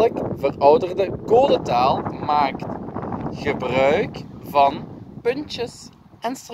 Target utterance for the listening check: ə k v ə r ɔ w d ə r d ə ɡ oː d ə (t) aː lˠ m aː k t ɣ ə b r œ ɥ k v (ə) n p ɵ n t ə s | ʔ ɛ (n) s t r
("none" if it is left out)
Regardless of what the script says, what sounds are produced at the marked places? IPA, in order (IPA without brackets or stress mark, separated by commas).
t, ɑ, n